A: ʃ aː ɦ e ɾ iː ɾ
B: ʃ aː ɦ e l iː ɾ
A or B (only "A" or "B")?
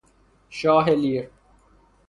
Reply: B